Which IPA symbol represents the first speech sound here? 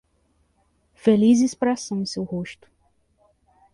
f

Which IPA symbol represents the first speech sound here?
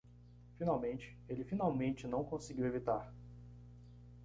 f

